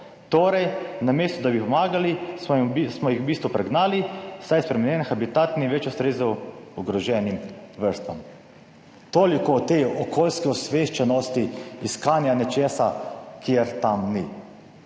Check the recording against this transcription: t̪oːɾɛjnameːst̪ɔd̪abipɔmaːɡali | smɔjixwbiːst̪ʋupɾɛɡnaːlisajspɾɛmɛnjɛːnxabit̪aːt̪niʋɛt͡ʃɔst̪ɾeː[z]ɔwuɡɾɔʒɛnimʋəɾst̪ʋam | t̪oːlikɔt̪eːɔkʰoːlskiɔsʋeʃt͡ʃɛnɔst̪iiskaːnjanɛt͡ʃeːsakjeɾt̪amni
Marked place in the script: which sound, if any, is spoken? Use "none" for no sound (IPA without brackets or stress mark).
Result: z